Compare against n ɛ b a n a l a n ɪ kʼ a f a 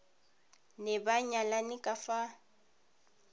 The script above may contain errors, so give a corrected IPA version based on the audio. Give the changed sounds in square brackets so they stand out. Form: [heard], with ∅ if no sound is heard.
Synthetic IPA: n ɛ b a [ɲ] a l a n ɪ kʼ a f a